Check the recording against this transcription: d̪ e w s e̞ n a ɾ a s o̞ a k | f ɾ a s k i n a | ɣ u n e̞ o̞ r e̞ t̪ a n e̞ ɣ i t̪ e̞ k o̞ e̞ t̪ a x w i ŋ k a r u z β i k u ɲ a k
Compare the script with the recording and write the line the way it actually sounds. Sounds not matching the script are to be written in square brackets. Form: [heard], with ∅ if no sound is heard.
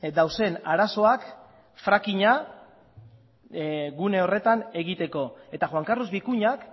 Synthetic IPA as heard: d̪ [a] w s e̞ n a ɾ a s o̞ a k | f ɾ a [∅] k i [ɲ] a | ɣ u n e̞ o̞ r e̞ t̪ a n e̞ ɣ i t̪ e̞ k o̞ e̞ t̪ a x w [a] ŋ k a r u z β i k u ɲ a k